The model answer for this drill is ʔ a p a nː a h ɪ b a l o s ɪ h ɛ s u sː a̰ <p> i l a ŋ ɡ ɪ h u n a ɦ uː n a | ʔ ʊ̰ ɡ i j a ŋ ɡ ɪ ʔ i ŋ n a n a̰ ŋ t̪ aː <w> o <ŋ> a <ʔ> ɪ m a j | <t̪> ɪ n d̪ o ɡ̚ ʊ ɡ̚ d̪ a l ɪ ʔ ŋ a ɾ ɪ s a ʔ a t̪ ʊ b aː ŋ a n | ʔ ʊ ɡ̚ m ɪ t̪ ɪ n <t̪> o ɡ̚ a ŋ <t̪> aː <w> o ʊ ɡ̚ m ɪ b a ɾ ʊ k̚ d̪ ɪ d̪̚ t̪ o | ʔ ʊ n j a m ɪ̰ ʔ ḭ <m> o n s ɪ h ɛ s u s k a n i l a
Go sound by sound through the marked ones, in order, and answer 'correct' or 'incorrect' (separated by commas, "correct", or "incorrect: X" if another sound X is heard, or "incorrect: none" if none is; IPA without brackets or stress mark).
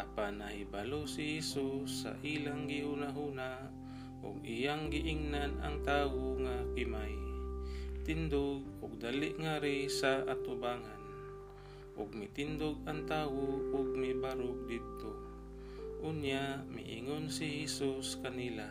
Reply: incorrect: ʔ, correct, correct, incorrect: k, correct, incorrect: d̪, correct, correct, incorrect: ŋ